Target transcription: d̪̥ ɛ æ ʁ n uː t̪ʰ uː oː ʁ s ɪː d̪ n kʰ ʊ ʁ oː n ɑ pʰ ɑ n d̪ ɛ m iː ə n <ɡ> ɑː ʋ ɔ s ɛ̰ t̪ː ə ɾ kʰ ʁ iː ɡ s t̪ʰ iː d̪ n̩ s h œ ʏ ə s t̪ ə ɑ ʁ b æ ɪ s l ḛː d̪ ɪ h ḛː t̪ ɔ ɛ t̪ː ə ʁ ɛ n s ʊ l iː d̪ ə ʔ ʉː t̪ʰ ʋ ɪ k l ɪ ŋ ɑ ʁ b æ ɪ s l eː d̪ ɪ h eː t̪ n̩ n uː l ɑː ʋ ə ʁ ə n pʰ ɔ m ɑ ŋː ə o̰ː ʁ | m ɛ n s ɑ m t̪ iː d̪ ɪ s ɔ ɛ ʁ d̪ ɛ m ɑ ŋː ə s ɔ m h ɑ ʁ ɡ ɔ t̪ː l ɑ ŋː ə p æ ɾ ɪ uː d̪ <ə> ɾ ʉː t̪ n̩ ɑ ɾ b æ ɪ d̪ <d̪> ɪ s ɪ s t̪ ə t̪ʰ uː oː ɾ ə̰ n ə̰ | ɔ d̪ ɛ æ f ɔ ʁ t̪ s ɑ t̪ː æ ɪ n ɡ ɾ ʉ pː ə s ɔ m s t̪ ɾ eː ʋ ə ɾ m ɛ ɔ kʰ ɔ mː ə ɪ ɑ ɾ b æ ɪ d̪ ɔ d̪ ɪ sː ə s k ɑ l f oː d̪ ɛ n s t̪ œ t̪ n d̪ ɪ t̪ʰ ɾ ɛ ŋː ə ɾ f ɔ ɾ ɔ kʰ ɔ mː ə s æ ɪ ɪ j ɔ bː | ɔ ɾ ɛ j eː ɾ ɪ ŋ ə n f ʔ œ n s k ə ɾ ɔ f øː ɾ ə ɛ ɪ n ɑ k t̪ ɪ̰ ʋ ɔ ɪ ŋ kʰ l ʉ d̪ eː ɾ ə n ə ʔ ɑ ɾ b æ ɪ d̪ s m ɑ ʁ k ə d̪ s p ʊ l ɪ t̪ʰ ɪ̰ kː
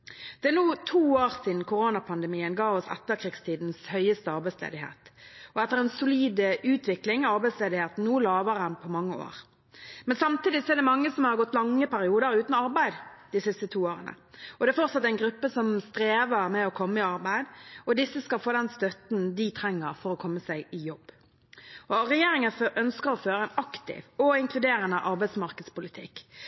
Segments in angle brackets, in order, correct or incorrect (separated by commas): correct, correct, correct